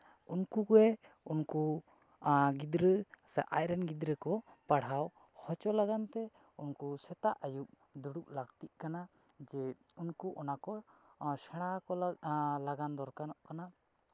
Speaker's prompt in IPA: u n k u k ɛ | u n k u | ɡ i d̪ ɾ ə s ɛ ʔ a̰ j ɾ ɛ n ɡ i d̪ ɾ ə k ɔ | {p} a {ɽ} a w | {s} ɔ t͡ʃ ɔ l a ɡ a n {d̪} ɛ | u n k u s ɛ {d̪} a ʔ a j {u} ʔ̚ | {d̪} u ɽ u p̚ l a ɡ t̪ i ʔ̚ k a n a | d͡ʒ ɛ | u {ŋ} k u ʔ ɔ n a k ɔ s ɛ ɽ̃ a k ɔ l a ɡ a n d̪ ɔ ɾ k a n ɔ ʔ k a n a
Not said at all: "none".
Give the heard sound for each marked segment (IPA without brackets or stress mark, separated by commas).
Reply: p, ɽ, h, t̪, t̪, u, d̪, n